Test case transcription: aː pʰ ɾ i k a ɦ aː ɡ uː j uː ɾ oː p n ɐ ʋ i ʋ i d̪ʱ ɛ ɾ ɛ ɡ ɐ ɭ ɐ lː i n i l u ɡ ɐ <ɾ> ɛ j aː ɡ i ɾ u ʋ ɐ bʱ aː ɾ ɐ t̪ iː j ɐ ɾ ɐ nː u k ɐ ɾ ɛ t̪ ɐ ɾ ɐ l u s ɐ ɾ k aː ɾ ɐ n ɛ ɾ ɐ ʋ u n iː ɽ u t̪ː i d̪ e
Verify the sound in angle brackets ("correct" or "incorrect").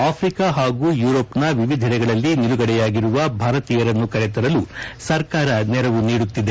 incorrect